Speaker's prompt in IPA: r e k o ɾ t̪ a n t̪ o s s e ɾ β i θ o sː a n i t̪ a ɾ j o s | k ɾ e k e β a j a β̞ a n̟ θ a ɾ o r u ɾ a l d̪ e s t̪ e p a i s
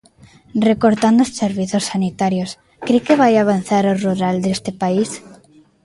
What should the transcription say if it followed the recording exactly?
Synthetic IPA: r e k o ɾ t̪ a n d̪ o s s e ɾ β i θ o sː a n i t̪ a ɾ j o s | k ɾ e k e β a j a β̞ a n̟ θ a ɾ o r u ɾ a l d̪ e s t̪ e p a i s